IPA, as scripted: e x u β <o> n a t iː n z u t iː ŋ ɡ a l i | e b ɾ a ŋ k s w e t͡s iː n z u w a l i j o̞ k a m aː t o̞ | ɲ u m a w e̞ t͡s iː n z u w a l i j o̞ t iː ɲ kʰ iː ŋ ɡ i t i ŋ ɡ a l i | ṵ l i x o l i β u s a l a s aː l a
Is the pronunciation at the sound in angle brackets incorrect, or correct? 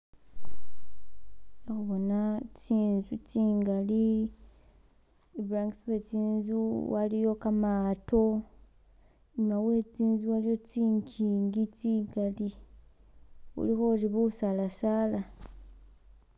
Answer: correct